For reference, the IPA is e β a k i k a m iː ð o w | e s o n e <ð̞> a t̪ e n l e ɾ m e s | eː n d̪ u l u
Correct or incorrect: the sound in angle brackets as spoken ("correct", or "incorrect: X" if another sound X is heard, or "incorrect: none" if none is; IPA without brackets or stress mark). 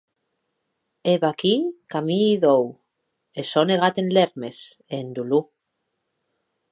incorrect: ɣ̞